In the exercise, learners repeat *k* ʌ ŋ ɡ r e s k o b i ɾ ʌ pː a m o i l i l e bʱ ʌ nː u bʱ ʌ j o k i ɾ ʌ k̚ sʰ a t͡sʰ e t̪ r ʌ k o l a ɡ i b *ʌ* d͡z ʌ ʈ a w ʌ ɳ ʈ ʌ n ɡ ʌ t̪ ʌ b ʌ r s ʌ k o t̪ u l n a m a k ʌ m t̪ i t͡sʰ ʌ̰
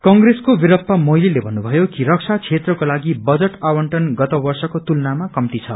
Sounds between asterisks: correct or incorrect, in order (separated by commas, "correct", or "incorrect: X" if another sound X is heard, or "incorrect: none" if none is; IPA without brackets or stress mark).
correct, correct